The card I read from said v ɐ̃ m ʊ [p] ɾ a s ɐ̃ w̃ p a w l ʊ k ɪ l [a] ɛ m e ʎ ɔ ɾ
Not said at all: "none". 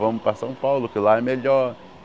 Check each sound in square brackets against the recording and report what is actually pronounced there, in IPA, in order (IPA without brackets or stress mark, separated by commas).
p, a